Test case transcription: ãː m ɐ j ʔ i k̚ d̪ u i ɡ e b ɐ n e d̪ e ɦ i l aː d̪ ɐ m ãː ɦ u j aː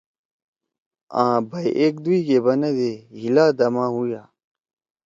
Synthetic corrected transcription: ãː b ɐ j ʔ e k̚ d̪ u i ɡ e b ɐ n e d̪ e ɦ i l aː d̪ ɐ m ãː ɦ u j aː